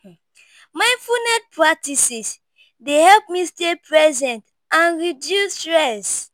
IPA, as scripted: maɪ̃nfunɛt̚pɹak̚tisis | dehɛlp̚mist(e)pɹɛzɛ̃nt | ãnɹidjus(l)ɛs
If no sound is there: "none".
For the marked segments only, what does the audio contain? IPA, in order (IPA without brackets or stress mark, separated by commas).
e, ɹ